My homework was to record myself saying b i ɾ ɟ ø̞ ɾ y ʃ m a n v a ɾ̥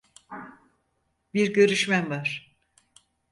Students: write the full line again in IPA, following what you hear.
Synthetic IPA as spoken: b i ɾ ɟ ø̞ ɾ y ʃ m æ n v a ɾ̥